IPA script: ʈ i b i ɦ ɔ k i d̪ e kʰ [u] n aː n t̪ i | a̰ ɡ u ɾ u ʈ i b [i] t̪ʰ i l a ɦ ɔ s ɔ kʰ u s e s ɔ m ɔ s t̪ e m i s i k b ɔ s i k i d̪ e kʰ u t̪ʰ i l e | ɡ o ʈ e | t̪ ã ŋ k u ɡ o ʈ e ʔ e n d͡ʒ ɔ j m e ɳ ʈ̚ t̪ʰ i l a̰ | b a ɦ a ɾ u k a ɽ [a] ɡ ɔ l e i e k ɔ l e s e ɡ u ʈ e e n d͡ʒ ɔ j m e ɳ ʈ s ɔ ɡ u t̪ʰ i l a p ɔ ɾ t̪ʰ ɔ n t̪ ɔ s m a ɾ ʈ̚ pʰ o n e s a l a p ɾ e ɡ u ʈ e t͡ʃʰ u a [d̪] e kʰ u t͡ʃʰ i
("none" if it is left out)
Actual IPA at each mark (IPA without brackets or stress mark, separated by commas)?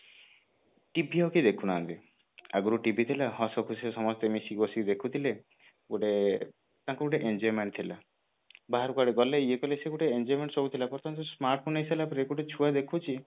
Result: u, i, e, d̪